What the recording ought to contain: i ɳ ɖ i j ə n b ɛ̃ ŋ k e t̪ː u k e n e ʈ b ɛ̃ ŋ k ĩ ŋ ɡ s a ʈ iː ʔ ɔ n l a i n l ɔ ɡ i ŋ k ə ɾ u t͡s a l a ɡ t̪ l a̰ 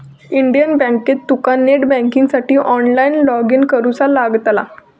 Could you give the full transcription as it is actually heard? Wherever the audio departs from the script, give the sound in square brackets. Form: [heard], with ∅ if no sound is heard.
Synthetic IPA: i ɳ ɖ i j ə n b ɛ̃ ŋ k e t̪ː u k [a] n e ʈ b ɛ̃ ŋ k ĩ ŋ ɡ s a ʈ iː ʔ ɔ n l a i n l ɔ ɡ i [n] k ə ɾ u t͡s a l a ɡ t̪ l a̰